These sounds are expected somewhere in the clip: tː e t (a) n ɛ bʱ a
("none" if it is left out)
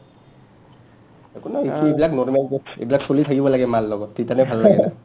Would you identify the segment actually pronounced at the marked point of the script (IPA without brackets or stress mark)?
a